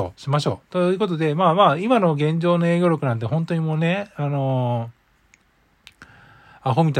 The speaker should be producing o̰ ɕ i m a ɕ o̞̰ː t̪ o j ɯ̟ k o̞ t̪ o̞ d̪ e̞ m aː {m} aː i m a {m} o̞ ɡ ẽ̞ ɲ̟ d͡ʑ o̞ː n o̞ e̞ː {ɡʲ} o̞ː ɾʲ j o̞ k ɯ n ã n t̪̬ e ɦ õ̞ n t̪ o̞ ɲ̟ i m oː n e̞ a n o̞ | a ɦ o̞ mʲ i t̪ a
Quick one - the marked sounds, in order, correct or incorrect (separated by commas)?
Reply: correct, incorrect, correct